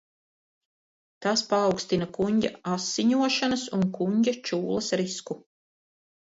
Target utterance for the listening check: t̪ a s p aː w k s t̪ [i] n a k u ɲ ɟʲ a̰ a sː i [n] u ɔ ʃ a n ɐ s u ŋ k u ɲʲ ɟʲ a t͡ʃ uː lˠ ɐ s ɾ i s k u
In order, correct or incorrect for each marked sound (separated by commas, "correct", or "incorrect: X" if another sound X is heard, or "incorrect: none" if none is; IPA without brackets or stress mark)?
correct, incorrect: ɲ